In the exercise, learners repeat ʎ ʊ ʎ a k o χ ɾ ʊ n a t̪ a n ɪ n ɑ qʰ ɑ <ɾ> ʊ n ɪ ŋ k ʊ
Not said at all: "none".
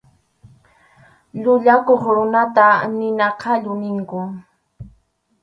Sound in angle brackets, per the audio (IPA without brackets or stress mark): ʎ